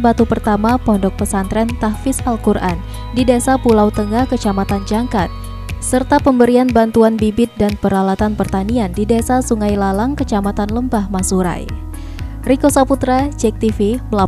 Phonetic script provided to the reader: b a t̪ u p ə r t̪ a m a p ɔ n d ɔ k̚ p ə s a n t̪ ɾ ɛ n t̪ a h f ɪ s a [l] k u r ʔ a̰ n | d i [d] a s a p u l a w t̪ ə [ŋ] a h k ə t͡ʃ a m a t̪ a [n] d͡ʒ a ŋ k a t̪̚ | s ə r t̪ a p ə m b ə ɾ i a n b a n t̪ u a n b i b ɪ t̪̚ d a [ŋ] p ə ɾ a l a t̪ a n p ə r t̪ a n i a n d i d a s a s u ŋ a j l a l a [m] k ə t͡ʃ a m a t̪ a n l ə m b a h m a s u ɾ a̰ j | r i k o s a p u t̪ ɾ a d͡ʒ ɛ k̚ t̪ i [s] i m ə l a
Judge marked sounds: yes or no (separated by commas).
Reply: yes, yes, yes, yes, no, no, no